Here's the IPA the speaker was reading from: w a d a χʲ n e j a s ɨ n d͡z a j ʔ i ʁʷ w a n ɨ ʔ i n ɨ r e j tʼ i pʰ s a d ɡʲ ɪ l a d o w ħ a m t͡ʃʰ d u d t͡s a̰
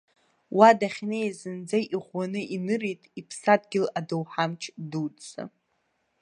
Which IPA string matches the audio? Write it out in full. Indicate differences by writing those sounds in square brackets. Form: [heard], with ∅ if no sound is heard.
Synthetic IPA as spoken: w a d a χʲ n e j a [z] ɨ n d͡z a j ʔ i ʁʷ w a n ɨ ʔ i n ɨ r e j tʼ i pʰ s a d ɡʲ ɪ l a d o w ħ a m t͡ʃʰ d u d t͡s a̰